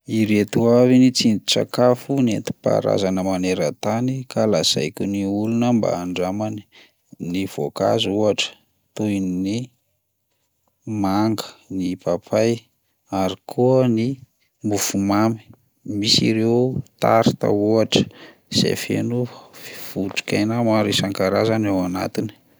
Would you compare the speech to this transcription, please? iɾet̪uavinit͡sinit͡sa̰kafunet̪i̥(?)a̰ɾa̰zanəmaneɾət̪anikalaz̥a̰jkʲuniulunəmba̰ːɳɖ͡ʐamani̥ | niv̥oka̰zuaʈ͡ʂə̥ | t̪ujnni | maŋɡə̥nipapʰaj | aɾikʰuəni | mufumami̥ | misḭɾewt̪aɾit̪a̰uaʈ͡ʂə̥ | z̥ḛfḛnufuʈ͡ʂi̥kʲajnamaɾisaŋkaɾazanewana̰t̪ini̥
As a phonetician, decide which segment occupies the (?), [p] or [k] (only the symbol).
p